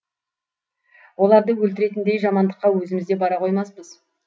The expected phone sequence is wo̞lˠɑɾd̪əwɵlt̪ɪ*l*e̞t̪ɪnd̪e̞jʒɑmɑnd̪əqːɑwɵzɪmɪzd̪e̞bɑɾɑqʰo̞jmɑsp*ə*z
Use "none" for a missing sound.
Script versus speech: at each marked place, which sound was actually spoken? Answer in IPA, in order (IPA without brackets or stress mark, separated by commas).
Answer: ɾ, ə